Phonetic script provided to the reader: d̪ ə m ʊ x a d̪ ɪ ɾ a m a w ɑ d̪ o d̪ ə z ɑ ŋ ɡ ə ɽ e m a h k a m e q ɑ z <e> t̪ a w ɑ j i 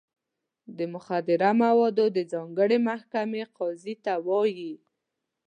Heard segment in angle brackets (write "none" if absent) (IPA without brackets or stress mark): i